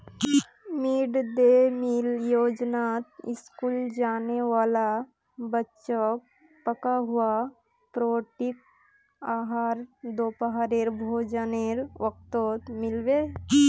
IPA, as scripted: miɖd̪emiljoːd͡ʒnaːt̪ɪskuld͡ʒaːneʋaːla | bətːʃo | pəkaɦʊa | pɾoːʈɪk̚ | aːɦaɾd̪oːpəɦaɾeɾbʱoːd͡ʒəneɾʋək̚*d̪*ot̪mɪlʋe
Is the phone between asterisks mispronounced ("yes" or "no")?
yes